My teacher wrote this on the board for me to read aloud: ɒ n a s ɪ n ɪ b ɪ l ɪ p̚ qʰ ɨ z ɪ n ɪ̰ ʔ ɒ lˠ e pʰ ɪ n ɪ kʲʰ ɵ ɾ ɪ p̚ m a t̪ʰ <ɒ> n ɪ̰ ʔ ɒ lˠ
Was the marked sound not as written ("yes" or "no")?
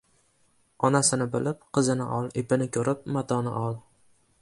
no